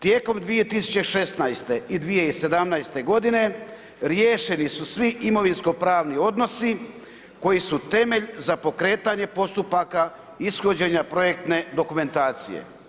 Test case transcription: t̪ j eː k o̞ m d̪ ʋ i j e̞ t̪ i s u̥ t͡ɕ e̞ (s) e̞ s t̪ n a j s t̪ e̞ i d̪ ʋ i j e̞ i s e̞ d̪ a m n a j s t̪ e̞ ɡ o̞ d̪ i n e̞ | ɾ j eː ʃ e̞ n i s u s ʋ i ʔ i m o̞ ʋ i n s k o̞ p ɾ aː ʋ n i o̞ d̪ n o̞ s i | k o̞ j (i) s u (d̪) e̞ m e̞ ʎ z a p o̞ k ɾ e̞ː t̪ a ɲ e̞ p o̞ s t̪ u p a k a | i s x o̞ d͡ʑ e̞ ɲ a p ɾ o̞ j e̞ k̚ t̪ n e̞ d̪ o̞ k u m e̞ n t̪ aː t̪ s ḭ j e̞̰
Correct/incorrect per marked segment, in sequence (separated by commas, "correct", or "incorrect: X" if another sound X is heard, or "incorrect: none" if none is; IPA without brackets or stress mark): incorrect: ʃ, correct, incorrect: t̪